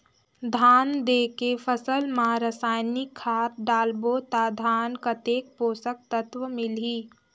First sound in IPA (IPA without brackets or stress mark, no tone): d̪ʱ